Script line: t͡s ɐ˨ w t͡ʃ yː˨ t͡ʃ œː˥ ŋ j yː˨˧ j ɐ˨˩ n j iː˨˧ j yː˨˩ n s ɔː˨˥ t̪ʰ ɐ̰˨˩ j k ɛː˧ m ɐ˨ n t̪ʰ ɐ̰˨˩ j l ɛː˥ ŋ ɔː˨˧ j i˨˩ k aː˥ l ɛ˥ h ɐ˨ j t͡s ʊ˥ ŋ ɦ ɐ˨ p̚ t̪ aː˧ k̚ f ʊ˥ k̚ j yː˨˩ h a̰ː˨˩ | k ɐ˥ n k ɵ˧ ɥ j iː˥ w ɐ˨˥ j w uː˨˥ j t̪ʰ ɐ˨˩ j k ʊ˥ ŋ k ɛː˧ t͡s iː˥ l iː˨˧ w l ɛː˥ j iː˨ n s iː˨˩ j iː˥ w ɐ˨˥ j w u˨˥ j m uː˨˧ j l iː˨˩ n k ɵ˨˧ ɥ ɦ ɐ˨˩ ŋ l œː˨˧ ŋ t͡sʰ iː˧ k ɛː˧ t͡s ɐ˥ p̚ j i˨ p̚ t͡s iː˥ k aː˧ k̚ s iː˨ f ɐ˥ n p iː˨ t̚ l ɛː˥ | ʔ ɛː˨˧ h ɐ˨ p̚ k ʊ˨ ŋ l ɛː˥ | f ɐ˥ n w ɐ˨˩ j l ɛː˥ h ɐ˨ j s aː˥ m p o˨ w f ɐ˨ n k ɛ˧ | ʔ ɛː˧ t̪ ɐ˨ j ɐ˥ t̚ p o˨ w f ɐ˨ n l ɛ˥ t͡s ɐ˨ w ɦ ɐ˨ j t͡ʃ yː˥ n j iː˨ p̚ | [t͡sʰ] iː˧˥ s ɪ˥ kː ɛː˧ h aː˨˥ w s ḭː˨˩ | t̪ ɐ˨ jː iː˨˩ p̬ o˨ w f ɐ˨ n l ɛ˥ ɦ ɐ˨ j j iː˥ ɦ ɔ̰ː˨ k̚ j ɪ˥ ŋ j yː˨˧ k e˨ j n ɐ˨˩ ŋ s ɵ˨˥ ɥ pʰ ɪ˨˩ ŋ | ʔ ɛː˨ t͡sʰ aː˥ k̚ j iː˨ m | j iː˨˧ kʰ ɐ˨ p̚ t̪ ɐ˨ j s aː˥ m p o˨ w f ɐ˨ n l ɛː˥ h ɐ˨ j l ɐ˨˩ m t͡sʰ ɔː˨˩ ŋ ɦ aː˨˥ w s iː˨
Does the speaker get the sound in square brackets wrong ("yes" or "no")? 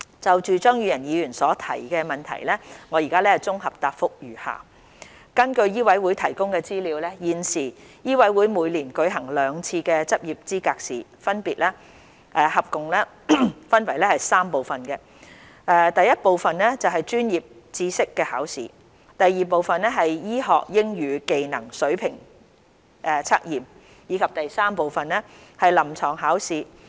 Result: yes